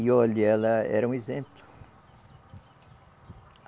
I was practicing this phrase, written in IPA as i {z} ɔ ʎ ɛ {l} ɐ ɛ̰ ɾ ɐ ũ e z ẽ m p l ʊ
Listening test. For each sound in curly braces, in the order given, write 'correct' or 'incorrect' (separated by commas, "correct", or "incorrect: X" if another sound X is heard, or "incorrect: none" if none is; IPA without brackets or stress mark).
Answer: incorrect: none, correct